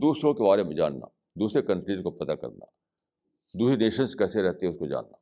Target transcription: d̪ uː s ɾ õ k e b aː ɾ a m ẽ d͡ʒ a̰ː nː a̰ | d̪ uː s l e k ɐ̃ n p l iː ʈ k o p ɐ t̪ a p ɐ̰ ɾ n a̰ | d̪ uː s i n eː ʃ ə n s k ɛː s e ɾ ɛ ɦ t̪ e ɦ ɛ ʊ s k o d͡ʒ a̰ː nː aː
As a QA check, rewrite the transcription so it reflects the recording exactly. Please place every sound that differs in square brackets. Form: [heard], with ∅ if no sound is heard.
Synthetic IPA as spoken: d̪ uː s ɾ õ k e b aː ɾ [e] m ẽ d͡ʒ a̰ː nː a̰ | d̪ uː s [ɾ] e k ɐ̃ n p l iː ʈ k o p ɐ t̪ a [k] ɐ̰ ɾ n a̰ | d̪ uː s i n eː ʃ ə n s k ɛː s e ɾ ɛ ɦ t̪ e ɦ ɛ ʊ s k o d͡ʒ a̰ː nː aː